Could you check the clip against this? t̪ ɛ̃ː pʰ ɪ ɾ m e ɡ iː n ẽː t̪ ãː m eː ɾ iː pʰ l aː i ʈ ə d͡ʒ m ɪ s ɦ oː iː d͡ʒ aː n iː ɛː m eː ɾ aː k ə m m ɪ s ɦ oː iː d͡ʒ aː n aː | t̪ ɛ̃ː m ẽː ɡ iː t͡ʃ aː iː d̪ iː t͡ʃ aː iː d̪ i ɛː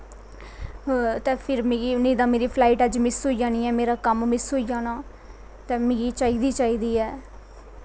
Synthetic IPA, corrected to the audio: t̪ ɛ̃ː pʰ ɪ ɾ m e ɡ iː n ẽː d̪ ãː m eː ɾ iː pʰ l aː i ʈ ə d͡ʒ m ɪ s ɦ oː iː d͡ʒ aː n iː ɛː m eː ɾ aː k ə m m ɪ s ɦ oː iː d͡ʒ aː n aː | t̪ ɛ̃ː m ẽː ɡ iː t͡ʃ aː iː d̪ iː t͡ʃ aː iː d̪ iː ɛː